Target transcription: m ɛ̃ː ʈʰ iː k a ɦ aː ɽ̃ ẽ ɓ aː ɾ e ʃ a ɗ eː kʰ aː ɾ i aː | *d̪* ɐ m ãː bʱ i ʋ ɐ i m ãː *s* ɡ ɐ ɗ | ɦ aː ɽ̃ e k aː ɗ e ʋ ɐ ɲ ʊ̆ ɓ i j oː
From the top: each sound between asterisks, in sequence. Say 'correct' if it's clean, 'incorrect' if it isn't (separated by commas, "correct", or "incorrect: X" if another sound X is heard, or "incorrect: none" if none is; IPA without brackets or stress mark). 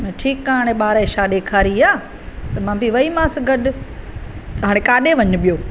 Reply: incorrect: t̪, correct